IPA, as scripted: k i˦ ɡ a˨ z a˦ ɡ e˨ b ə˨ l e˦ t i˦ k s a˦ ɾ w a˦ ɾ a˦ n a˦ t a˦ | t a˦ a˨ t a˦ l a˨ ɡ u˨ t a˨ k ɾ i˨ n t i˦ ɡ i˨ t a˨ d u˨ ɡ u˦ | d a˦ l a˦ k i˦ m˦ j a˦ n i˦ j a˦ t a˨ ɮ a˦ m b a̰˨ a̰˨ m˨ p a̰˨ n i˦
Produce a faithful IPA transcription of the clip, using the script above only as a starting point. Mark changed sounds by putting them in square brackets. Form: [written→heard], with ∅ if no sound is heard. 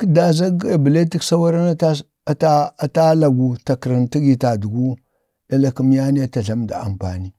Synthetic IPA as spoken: k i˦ [ɡ→d] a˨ z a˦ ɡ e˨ b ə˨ l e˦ t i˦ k s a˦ [ɾ→∅] w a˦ ɾ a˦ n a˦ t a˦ | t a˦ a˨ t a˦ l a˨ ɡ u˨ t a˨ k ɾ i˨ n t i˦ ɡ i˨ t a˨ d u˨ ɡ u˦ | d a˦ l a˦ k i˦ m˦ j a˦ n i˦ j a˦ t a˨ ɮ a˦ m [b→d] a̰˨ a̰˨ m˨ p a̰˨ n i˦